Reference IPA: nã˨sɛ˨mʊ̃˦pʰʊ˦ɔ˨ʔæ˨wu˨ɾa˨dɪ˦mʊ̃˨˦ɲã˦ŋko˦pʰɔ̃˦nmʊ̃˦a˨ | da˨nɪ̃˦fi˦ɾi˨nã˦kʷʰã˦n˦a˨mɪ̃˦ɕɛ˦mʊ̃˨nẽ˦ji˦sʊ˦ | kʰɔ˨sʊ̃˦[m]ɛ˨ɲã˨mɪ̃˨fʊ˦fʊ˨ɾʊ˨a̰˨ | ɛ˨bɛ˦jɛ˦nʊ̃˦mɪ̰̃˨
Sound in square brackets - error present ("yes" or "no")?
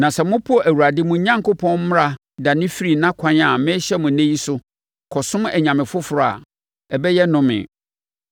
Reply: no